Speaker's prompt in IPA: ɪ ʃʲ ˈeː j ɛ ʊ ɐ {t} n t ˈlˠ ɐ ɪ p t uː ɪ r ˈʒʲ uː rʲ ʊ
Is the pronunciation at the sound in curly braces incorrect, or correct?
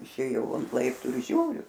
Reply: incorrect